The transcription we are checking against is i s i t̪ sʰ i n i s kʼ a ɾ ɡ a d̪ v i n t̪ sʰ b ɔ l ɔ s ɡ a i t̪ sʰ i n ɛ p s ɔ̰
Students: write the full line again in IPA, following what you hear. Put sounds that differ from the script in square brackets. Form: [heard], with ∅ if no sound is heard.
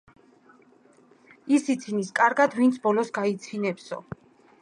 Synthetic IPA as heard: i s i t̪ sʰ i n i s kʼ a ɾ ɡ a d̪ v i n t̪ sʰ b ɔ l ɔ s ɡ a i t̪ sʰ i n ɛ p s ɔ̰